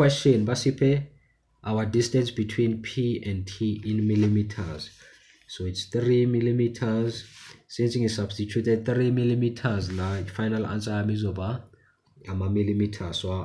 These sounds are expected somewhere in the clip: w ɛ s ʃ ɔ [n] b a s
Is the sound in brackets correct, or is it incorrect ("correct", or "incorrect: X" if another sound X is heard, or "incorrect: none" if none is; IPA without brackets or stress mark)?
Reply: correct